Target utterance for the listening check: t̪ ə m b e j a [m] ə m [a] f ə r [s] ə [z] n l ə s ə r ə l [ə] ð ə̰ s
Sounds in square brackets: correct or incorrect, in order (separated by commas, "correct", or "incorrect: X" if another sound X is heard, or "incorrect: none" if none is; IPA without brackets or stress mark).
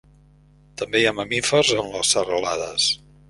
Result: correct, incorrect: i, incorrect: z, incorrect: none, incorrect: a